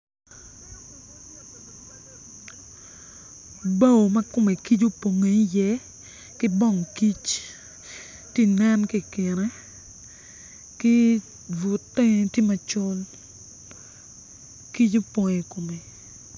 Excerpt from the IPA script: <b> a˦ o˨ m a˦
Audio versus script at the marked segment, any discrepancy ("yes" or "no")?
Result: no